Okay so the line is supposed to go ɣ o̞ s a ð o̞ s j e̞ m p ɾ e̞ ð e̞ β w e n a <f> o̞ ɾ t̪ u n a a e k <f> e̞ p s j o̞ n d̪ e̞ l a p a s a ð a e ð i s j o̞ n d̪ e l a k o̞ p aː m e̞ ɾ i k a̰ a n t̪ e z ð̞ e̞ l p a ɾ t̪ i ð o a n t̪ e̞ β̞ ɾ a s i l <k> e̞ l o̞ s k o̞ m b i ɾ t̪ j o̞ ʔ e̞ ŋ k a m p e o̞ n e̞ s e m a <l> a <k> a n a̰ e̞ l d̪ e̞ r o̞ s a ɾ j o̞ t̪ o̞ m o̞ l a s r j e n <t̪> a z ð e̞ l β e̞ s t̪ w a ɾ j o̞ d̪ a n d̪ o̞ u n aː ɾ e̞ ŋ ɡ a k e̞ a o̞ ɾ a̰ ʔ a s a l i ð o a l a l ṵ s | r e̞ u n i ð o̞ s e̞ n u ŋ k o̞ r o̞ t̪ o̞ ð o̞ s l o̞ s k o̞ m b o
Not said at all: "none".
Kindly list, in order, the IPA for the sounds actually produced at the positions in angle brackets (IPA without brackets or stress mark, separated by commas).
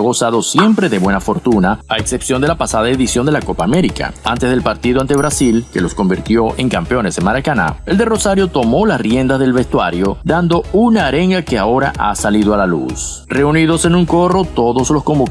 f, s, k, ɾ, k, d̪